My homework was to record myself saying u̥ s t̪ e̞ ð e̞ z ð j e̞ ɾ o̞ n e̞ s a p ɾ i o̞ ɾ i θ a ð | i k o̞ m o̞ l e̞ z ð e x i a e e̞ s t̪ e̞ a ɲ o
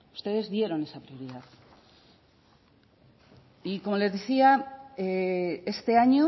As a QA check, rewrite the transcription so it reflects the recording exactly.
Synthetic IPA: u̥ s t̪ e̞ ð e̞ z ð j e̞ ɾ o̞ n e̞ s a p ɾ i o̞ ɾ i ð a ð | i k o̞ m o̞ l e̞ z ð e θ i a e e̞ s t̪ e̞ a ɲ o